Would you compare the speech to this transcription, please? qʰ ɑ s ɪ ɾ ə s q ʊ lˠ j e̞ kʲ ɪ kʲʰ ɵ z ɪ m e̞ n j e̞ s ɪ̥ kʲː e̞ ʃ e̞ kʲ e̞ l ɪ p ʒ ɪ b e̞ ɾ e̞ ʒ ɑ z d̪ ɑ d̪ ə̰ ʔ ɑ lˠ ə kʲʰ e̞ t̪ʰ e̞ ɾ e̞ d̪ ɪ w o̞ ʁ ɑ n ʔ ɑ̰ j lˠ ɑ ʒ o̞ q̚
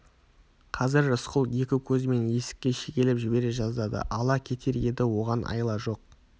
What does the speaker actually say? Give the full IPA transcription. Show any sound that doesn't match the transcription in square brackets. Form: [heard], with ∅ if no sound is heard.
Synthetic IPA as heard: qʰ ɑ [z] ɪ ɾ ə s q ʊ lˠ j e̞ kʲ ɪ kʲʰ ɵ z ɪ m e̞ n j e̞ s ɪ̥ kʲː e̞ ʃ e̞ kʲ e̞ l ɪ p ʒ ɪ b e̞ ɾ e̞ ʒ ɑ z d̪ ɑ d̪ ə̰ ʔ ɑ lˠ [ɑ] kʲʰ e̞ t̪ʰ e̞ ɾ e̞ d̪ ɪ w o̞ ʁ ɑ n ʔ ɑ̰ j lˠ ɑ ʒ o̞ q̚